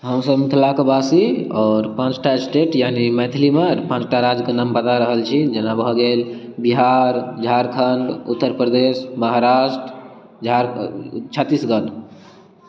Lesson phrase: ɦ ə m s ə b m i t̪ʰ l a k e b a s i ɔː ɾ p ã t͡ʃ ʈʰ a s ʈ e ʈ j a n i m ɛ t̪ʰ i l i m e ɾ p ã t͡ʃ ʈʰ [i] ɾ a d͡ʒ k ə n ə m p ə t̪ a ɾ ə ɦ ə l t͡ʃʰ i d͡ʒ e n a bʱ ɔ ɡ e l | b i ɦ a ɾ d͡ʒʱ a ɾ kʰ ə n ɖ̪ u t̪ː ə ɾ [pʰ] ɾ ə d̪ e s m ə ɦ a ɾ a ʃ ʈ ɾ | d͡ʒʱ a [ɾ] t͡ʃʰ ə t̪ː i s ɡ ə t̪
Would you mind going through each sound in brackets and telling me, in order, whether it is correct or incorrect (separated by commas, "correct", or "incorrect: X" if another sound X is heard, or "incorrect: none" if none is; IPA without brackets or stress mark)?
incorrect: a, incorrect: p, correct